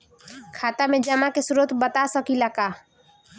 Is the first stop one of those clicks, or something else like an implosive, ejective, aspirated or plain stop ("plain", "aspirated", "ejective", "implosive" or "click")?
aspirated